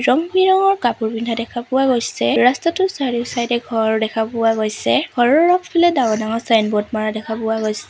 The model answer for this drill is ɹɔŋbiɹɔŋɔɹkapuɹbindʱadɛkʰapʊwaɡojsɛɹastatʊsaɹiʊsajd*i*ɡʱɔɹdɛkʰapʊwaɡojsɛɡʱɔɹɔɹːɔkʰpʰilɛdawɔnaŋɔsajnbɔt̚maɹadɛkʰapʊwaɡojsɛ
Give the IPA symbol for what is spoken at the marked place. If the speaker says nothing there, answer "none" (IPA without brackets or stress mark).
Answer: ɛ